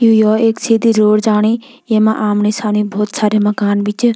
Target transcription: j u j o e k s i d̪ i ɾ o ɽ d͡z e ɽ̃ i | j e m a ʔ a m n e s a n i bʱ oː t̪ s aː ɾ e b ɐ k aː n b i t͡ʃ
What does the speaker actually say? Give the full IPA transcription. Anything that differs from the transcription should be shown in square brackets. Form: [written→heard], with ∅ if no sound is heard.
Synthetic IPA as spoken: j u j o e k s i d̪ i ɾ o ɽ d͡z [e→a] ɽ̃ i | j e m a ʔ a m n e s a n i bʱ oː t̪ s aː ɾ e [b→m] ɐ k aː n b i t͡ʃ

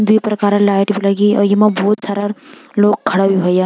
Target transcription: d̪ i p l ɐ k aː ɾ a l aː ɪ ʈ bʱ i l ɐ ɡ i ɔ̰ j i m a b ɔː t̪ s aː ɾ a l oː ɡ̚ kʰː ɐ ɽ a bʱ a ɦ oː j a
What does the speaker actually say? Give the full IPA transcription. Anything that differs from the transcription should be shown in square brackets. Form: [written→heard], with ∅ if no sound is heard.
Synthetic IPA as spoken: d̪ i p [l→ɾ] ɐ k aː ɾ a l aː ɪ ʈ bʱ i l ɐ ɡ i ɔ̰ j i m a b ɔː t̪ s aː ɾ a l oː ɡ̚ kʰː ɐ ɽ a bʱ [a→i] ɦ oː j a

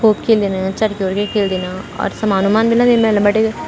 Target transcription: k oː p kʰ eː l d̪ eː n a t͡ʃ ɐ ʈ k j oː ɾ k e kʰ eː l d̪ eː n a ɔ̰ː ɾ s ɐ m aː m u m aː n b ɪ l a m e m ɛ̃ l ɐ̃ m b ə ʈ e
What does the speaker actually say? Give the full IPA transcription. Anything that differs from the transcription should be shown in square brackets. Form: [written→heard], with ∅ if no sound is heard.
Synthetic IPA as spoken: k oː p kʰ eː l d̪ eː n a t͡ʃ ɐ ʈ k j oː ɾ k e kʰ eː l d̪ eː n a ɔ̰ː ɾ s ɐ m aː [m→n] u m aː n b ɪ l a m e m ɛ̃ l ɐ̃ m b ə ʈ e

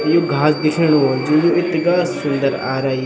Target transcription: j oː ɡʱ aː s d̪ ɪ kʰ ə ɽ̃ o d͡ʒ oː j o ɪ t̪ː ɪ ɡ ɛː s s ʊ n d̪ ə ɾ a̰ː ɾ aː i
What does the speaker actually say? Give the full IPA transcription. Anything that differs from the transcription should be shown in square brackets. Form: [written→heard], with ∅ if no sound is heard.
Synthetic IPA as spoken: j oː ɡʱ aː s d̪ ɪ kʰ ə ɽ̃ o d͡ʒ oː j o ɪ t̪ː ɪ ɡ [ɛː→aː] s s ʊ n d̪ ə ɾ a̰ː ɾ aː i

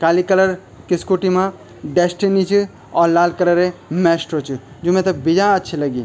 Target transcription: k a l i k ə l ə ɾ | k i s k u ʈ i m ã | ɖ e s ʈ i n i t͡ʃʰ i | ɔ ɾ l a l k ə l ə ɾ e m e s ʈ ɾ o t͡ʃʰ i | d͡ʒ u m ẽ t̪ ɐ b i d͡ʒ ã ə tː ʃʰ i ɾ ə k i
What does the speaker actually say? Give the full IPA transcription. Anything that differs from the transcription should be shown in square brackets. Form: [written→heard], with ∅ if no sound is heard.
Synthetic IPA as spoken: k a l i k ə l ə ɾ | k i s k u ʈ i m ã | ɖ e s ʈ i n i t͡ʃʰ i | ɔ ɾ l a l k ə l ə ɾ e m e s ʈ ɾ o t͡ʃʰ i | d͡ʒ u m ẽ t̪ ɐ b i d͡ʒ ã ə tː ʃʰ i [ɾ→l] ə [k→ɡ] i

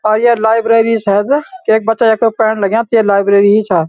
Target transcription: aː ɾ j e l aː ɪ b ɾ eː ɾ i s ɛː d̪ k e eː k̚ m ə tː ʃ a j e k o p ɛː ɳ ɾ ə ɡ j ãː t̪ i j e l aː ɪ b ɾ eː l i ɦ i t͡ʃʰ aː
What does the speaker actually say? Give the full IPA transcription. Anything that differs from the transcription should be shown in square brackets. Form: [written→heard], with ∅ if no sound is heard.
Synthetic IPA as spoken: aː ɾ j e l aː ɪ b ɾ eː ɾ i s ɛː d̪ k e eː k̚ [m→b] ə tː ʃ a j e k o p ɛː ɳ [ɾ→l] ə ɡ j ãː t̪ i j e l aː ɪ b ɾ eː [l→ɾ] i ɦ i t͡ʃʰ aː

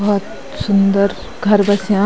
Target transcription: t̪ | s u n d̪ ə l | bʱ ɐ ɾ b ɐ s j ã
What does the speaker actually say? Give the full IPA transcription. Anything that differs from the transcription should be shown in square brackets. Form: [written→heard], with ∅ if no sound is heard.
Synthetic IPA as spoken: t̪ | s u n d̪ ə [l→ɾ] | [bʱ→ɡʱ] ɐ ɾ b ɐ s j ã

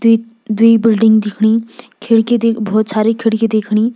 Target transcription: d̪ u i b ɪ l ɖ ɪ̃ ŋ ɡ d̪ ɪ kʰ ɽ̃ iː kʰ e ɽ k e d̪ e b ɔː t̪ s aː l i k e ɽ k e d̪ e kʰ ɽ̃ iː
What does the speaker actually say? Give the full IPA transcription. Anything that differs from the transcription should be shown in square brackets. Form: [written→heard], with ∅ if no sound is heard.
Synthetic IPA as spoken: d̪ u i b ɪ l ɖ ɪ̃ ŋ ɡ d̪ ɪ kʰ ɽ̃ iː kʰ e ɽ k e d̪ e b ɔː t̪ s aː [l→ɾ] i [k→kʰ] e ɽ k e d̪ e kʰ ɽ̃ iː

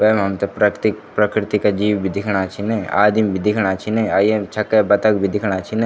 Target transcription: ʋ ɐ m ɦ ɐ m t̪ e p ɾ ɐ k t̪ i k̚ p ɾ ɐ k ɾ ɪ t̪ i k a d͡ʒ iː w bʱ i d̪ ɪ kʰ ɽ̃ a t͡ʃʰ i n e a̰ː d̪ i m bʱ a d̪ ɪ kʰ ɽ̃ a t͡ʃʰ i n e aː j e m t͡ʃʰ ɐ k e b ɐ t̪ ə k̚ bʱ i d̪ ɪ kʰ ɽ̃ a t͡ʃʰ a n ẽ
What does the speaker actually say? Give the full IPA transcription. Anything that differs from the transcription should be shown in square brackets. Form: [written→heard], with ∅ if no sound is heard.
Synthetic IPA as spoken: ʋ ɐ m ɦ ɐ m t̪ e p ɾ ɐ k t̪ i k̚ p ɾ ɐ k ɾ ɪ t̪ i k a d͡ʒ iː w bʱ i d̪ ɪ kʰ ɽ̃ a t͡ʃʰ i n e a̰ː d̪ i m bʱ [a→i] d̪ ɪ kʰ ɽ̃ a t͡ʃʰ i n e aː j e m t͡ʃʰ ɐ k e b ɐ t̪ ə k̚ bʱ i d̪ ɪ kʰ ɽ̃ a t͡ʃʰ [a→i] n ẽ

